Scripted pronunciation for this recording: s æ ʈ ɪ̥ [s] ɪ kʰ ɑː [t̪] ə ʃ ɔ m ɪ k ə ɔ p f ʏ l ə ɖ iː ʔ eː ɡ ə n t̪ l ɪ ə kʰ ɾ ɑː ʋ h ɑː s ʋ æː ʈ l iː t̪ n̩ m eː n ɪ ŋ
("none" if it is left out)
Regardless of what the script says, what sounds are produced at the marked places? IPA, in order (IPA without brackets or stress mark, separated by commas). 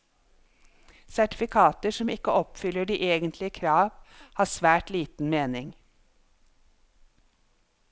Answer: f, t̪